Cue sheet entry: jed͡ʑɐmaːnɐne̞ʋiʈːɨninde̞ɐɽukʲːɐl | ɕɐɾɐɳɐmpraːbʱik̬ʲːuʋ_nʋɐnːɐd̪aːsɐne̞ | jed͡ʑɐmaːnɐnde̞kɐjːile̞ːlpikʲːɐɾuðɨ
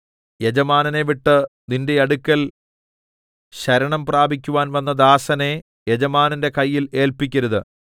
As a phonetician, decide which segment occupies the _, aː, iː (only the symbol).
aː